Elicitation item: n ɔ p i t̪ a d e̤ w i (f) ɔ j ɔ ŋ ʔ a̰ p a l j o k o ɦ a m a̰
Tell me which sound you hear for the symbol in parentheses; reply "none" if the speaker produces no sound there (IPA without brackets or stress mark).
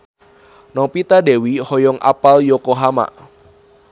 h